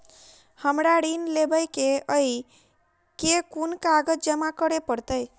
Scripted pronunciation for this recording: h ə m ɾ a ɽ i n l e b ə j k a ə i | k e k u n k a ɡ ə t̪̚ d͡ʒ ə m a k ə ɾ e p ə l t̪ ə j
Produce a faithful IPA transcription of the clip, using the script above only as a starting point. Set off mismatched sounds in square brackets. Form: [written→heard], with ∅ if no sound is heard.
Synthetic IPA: h ə m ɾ a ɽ i n l e b ə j k [a→e] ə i | k e k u n k a ɡ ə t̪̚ d͡ʒ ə m a k ə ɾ e p ə [l→ɾ] t̪ ə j